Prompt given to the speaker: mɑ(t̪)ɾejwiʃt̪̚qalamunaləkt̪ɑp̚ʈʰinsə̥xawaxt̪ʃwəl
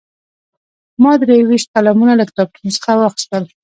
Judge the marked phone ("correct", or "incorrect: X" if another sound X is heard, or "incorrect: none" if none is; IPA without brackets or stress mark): incorrect: d̪